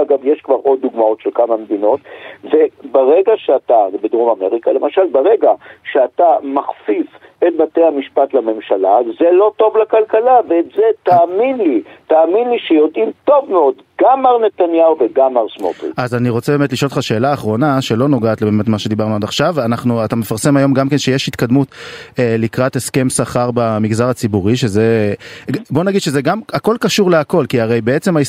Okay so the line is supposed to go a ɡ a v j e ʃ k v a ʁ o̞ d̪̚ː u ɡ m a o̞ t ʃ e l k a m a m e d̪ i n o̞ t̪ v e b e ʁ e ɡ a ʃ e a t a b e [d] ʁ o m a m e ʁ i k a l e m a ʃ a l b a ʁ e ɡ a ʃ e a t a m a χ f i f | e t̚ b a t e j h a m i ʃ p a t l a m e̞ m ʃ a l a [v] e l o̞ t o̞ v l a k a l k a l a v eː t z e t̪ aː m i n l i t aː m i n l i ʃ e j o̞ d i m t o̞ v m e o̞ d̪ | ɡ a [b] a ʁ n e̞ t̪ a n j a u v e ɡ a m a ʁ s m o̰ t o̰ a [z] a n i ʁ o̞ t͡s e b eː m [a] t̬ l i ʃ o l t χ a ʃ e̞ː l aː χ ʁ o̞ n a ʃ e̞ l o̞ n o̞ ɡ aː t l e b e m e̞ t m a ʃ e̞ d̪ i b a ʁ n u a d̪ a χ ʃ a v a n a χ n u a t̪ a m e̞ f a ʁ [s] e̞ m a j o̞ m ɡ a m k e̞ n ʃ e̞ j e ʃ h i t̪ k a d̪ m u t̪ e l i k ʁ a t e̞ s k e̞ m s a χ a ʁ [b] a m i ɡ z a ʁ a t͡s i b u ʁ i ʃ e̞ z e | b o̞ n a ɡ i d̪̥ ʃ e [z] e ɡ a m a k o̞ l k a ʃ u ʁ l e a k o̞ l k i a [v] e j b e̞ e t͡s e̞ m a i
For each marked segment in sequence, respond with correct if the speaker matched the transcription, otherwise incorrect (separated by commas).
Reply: correct, incorrect, incorrect, correct, incorrect, correct, correct, correct, incorrect